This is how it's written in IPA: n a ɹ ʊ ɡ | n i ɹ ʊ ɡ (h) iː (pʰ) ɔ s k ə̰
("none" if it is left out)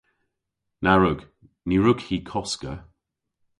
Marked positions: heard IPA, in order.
h, kʰ

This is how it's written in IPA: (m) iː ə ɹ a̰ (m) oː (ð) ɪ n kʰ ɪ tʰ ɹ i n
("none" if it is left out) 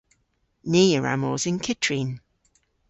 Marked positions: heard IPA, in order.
n, m, z

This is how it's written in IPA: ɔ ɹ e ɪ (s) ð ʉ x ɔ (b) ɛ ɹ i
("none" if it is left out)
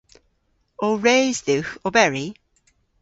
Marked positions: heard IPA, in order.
z, b

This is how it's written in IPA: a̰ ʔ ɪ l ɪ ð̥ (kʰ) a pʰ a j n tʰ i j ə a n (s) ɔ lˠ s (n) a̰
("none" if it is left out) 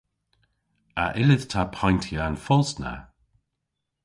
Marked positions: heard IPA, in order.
tʰ, f, n

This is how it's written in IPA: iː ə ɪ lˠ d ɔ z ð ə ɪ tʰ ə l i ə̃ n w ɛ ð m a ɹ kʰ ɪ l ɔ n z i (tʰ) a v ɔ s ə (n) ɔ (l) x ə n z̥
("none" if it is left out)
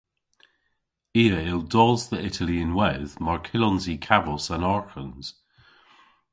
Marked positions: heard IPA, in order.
kʰ, n, ɹ

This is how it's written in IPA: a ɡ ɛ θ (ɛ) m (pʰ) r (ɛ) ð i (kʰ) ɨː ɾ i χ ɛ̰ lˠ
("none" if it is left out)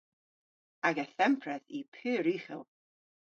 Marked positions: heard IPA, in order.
ɛ, pʰ, ɛ, pʰ

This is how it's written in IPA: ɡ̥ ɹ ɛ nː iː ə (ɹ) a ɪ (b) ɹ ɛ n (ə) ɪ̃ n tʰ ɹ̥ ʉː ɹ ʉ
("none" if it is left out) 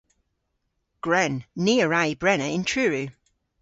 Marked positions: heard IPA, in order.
ɹ, b, ə

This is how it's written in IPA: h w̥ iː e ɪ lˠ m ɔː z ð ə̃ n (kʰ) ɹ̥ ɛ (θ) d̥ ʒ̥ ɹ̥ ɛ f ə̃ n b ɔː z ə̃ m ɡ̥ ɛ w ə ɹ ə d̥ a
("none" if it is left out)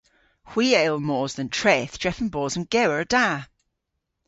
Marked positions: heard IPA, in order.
tʰ, θ

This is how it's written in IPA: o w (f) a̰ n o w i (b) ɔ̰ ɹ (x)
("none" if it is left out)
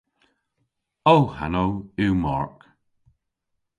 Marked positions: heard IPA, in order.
h, m, k

